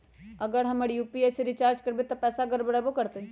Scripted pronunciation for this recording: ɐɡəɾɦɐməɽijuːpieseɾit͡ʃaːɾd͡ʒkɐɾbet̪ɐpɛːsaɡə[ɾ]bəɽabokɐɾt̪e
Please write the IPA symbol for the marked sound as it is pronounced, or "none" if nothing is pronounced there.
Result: ɾ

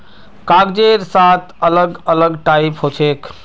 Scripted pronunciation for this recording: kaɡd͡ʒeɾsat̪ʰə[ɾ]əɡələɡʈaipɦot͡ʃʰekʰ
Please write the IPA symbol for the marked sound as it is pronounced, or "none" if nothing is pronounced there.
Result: l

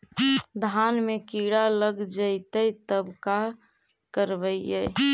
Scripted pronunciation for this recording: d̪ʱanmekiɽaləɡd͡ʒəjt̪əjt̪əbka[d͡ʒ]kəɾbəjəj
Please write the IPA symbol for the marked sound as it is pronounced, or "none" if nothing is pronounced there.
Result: none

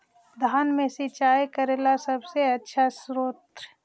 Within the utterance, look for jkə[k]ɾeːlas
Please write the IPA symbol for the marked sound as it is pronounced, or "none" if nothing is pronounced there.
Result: none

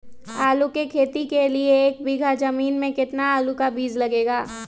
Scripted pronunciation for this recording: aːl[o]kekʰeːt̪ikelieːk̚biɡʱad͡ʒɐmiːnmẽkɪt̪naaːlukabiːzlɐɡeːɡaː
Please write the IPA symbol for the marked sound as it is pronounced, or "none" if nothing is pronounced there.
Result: u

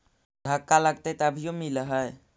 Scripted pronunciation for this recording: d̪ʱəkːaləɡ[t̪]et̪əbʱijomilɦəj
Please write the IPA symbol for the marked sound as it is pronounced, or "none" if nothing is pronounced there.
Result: t̪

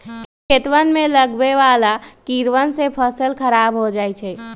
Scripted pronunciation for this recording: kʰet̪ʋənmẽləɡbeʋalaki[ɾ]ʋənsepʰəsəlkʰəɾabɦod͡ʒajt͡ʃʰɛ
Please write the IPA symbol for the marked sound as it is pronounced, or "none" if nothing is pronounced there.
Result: ɾ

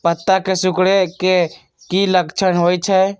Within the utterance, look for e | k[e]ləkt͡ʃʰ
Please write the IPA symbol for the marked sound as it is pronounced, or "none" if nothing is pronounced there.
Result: i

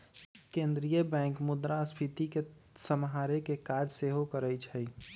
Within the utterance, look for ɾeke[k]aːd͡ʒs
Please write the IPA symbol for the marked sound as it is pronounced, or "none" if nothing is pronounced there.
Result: k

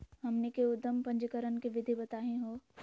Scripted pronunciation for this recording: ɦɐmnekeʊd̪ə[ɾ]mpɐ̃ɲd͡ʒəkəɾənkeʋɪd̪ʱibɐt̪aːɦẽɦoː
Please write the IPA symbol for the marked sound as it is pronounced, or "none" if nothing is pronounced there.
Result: none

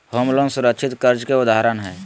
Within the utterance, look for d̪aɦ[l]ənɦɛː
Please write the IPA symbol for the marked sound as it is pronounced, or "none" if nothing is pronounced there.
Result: ɾ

